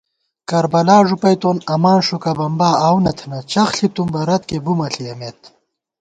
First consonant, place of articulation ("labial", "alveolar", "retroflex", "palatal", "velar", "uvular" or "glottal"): velar